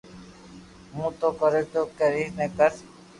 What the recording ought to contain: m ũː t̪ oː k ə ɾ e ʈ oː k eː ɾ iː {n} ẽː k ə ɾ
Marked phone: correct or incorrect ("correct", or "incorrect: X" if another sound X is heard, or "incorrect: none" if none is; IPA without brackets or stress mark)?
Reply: correct